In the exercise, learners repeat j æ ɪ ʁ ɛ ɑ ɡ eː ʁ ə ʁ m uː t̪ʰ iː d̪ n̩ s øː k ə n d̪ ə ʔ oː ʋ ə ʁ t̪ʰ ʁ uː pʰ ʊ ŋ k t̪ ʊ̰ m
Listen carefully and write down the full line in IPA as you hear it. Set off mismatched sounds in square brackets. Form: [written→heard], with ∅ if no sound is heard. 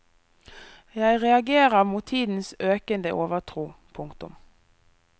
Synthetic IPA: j æ ɪ ʁ ɛ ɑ ɡ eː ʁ ə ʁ m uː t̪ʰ iː d̪ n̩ s øː k ə n d̪ ə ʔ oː ʋ ə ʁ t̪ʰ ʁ uː pʰ ʊ ŋ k t̪ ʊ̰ m